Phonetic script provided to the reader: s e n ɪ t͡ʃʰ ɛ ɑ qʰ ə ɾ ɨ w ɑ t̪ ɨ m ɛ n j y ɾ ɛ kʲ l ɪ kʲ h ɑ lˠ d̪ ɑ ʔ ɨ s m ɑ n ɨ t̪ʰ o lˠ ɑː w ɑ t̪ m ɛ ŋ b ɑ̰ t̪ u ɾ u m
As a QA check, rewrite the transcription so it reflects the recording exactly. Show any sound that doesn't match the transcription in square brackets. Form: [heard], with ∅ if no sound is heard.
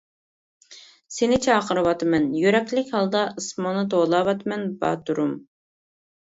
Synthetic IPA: s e n ɪ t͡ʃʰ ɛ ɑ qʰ ə ɾ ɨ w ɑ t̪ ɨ m ɛ n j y ɾ ɛ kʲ l ɪ kʲ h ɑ lˠ d̪ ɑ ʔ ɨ s m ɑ n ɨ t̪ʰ o lˠ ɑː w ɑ t̪ m ɛ [n] b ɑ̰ t̪ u ɾ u m